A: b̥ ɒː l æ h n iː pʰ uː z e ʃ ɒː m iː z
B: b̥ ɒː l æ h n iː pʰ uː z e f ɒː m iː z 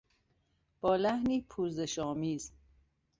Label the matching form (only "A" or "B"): A